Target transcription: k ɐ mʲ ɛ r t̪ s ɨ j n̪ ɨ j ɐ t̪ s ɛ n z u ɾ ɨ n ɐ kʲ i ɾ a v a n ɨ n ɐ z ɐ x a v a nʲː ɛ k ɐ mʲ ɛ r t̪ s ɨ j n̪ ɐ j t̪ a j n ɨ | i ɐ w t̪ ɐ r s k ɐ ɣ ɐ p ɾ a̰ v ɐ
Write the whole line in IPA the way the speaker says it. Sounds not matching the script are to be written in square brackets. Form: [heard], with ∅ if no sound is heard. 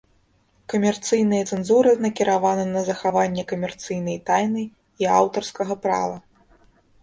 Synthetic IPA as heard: k ɐ mʲ ɛ r t̪ s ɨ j n̪ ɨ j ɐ t̪ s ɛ n z u ɾ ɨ n ɐ kʲ i ɾ a v a n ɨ n ɐ z ɐ x a v a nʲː ɛ k ɐ mʲ ɛ r t̪ s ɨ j n̪ ɐ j t̪ a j n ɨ | i [a] w t̪ ɐ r s k ɐ ɣ ɐ p ɾ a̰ v ɐ